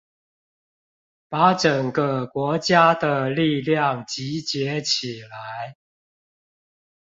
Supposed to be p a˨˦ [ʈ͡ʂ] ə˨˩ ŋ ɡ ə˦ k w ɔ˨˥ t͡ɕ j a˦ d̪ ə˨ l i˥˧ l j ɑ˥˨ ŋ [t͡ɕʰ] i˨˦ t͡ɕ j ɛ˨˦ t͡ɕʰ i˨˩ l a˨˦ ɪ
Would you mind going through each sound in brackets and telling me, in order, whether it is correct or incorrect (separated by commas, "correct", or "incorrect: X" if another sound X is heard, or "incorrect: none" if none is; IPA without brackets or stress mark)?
correct, incorrect: t͡ɕ